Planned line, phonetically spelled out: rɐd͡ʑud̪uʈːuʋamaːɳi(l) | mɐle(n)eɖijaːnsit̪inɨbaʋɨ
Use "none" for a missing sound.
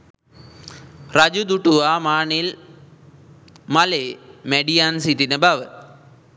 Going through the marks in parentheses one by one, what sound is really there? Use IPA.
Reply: l, m

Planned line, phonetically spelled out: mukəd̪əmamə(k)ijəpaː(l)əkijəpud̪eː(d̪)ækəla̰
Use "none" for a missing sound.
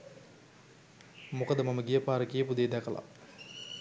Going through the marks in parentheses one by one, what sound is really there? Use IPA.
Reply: ɡ, ɾ, d̪

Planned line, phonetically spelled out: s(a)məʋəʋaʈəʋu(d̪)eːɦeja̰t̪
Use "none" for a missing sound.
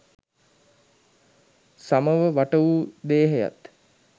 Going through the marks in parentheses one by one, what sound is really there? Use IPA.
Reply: a, d̪

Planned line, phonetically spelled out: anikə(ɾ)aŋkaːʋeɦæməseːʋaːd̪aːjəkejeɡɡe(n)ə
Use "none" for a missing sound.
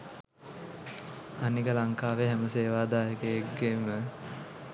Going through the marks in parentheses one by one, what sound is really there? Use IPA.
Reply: l, m

